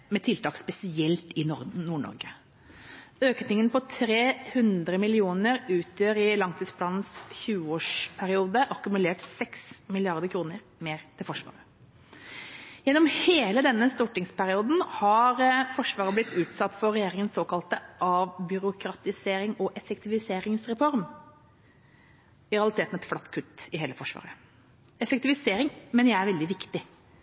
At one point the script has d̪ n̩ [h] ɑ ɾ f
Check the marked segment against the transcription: correct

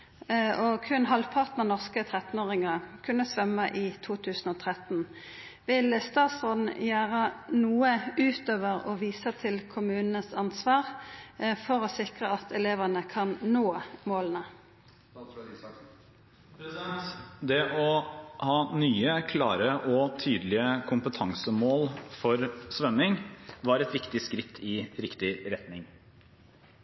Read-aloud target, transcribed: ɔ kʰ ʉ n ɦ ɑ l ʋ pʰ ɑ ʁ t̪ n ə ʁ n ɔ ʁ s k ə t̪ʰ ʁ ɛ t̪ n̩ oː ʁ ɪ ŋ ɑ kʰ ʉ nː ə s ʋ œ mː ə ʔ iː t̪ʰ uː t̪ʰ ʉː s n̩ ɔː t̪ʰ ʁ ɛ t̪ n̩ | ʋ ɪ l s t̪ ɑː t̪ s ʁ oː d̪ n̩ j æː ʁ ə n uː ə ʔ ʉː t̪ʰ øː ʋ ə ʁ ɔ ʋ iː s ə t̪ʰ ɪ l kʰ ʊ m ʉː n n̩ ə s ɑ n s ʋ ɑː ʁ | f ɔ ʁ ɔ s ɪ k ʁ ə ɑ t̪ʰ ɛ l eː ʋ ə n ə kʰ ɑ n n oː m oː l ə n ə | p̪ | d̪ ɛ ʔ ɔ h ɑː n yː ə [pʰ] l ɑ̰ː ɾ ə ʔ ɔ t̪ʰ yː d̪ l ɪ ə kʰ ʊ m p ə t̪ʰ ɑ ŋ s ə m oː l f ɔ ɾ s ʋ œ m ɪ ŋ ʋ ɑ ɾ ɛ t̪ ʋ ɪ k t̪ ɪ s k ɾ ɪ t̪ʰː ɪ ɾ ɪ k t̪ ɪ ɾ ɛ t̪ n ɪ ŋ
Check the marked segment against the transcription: incorrect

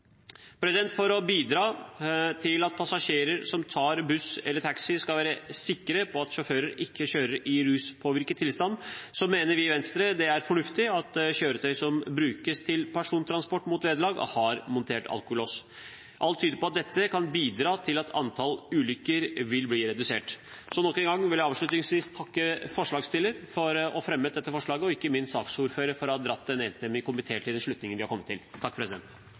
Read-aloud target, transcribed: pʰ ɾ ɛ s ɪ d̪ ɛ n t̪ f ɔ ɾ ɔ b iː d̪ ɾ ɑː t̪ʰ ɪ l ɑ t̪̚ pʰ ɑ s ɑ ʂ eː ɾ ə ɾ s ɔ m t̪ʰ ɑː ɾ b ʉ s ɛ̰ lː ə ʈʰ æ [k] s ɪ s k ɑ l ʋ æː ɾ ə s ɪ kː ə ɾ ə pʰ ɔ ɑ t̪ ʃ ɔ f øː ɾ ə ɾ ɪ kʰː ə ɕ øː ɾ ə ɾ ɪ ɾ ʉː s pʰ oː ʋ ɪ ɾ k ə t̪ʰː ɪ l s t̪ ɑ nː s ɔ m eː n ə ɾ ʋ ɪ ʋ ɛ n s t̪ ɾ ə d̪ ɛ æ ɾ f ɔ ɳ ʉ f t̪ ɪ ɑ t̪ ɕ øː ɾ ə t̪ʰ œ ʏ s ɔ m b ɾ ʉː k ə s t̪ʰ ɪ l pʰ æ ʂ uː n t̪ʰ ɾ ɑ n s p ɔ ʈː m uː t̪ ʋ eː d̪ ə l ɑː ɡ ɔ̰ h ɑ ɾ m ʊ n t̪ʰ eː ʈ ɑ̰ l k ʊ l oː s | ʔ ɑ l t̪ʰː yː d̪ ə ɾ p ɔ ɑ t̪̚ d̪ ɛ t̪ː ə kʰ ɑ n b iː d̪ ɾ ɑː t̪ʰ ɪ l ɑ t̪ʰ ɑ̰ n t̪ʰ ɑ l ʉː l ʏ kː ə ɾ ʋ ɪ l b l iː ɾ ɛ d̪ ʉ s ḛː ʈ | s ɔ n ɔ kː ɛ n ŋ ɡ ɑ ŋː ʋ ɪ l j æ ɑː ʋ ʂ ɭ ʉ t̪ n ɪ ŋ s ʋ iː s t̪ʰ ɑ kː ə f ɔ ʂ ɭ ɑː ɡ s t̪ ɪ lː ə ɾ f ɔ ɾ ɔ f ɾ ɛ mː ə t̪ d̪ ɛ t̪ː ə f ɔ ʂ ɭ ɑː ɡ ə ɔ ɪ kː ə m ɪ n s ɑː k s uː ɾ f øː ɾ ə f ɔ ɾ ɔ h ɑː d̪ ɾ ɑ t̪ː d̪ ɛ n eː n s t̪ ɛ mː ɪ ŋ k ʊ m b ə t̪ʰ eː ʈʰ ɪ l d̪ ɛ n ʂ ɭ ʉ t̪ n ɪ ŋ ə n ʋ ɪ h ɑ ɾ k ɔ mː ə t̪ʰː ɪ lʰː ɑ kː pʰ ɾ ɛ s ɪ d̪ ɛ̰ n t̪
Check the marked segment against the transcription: correct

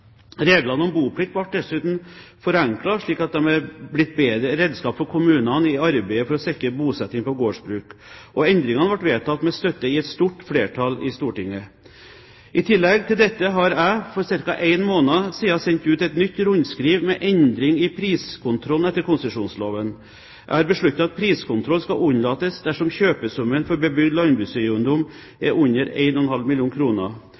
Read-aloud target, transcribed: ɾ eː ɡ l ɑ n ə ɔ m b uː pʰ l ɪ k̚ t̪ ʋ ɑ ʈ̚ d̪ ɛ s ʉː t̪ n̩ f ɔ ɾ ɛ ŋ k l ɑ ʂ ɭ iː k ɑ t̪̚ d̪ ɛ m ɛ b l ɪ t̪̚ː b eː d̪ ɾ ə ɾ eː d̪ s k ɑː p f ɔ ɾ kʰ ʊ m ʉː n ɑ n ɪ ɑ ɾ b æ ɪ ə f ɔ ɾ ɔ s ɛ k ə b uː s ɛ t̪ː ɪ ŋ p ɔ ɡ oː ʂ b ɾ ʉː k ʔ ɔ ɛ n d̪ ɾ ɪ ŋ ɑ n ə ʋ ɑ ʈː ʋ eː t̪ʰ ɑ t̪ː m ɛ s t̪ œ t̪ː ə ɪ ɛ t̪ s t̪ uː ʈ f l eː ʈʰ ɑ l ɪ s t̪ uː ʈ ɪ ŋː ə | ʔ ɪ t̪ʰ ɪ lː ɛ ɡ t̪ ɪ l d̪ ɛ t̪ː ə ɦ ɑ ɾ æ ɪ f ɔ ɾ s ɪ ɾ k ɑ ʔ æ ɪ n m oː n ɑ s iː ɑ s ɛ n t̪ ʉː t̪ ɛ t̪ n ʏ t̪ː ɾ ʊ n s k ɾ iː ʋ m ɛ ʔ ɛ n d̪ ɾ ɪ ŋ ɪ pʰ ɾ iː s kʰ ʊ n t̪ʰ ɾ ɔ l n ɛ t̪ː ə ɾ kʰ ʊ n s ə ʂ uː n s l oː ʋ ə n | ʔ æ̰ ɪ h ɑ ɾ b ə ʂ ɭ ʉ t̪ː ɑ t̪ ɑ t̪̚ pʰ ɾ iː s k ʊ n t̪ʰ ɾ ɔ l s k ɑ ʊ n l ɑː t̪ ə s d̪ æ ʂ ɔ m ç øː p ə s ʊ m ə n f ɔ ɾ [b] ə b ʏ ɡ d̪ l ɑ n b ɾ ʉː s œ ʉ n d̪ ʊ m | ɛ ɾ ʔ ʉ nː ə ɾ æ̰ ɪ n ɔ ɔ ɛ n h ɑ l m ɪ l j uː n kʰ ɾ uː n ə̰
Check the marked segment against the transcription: correct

